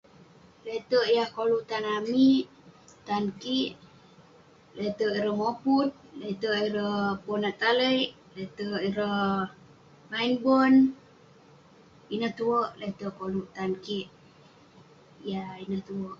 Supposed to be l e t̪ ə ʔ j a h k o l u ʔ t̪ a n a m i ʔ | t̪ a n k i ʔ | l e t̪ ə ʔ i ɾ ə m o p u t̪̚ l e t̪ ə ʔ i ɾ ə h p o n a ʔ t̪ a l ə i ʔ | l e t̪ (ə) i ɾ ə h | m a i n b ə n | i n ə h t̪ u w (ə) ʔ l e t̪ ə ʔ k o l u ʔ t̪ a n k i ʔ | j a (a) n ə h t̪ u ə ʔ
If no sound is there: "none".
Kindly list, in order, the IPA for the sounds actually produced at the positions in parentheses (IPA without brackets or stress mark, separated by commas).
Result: ə, ə, i